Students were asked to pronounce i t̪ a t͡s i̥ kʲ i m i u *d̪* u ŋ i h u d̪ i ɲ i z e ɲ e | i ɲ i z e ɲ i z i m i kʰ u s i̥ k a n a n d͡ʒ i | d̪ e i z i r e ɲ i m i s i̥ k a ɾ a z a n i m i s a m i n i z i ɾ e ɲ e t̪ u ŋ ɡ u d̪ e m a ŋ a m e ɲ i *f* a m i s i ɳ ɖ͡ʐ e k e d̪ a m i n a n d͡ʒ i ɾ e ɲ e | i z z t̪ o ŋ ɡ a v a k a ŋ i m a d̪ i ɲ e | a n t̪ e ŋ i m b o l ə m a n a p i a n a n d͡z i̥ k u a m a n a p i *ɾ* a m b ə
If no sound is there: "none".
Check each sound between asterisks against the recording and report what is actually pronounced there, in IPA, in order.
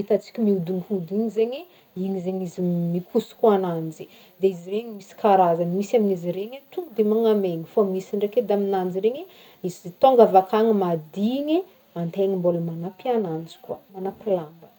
d̪, f, l

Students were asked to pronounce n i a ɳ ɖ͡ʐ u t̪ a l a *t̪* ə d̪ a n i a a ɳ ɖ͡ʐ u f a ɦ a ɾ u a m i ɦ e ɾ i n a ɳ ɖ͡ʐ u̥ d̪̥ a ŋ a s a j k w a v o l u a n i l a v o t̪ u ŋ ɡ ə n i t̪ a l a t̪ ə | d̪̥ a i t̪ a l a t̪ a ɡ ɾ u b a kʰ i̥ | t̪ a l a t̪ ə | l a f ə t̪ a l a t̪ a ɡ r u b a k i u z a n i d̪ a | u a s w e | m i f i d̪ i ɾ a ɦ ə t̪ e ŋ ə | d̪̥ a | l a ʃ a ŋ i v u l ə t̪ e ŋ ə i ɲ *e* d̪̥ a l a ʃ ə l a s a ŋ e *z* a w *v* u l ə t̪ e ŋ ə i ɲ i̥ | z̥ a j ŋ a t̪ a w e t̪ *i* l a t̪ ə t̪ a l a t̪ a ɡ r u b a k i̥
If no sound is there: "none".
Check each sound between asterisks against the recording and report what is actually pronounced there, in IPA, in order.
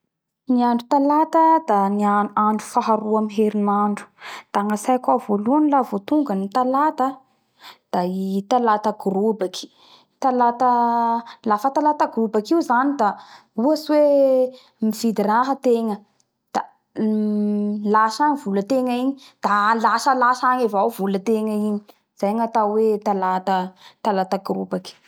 t̪, i, v, v, a

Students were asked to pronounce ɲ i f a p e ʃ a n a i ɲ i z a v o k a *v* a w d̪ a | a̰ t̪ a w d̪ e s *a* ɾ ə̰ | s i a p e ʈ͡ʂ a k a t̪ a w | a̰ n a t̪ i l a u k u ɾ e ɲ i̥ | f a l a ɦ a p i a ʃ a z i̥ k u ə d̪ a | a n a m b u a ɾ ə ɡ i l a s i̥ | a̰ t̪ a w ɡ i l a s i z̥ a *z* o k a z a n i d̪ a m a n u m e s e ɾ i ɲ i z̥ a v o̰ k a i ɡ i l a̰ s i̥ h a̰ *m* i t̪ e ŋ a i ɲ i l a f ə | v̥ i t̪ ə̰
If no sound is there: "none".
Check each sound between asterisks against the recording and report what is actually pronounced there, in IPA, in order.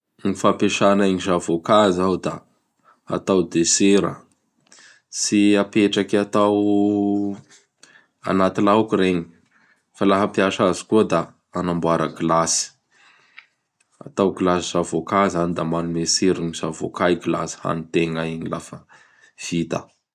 z, e, v, n

